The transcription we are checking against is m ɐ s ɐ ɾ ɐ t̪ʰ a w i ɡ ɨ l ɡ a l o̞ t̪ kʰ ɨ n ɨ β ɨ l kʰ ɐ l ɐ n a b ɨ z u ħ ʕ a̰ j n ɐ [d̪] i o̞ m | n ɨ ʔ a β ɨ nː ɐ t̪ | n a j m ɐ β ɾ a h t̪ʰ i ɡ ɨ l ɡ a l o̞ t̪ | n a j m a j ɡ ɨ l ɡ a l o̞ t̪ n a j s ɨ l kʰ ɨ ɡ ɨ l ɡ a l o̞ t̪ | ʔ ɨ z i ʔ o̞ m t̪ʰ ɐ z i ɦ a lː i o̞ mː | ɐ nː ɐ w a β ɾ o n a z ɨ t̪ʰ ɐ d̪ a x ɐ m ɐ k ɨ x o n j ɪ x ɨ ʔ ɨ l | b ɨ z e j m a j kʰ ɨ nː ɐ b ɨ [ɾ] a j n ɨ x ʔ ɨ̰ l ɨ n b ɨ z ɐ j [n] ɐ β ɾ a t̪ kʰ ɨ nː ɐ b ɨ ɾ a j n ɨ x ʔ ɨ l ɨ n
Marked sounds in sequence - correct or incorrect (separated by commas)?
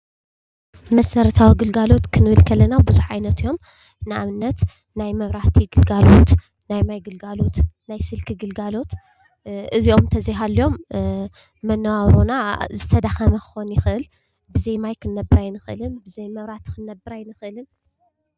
incorrect, correct, incorrect